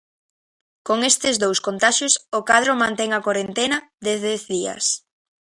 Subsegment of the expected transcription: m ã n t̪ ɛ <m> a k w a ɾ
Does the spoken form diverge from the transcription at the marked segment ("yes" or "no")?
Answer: yes